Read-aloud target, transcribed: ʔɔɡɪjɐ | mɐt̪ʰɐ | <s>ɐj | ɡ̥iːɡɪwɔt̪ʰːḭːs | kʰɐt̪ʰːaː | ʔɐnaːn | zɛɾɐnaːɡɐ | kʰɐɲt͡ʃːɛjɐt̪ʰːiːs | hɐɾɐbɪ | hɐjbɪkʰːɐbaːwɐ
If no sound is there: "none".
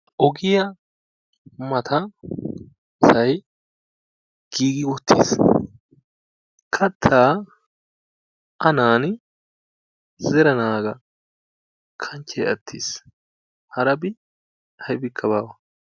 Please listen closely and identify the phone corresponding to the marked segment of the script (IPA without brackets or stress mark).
s